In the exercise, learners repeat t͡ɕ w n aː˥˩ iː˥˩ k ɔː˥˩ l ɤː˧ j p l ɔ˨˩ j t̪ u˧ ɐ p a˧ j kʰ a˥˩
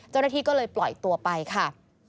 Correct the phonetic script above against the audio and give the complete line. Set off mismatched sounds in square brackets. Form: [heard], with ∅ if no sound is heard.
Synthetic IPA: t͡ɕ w n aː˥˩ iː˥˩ k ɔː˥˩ l ɤː˧ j p l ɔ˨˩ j t̪ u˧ ɐ p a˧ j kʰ a˥˩